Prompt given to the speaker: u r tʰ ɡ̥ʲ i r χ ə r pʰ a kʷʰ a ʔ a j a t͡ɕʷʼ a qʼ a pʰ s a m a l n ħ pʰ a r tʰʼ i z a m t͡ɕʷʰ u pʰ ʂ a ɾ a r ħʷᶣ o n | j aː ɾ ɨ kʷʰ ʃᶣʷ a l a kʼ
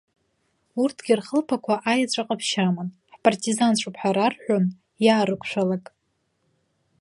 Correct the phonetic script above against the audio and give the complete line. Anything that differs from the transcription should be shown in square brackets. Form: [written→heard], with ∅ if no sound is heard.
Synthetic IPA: u r tʰ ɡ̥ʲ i r χ ə [r→l] pʰ a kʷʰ a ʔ a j a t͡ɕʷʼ a qʼ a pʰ [s→ʃ] a m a [l→∅] n ħ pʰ a r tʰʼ i z a [m→n] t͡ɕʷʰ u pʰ [ʂ→ħ] a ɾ a r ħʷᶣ o n | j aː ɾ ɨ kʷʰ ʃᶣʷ a l a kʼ